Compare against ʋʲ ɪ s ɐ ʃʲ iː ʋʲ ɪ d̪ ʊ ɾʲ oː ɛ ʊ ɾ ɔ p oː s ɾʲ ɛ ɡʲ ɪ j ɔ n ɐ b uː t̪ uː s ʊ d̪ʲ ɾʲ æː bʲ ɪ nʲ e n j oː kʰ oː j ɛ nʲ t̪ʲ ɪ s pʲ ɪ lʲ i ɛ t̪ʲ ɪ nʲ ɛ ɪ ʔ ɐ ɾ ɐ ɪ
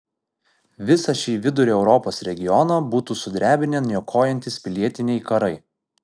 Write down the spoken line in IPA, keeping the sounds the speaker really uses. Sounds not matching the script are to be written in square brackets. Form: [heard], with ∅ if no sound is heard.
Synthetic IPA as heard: ʋʲ ɪ s ɐ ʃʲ iː ʋʲ ɪ d̪ ʊ ɾʲ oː ɛ ʊ ɾ ɔ p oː s ɾʲ ɛ ɡʲ ɪ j ɔ n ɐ b uː t̪ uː s ʊ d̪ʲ ɾʲ æː bʲ ɪ nʲ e n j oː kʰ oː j ɛ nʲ t̪ʲ ɪ s pʲ ɪ lʲ i ɛ t̪ʲ ɪ nʲ ɛ ɪ [k] ɐ ɾ ɐ ɪ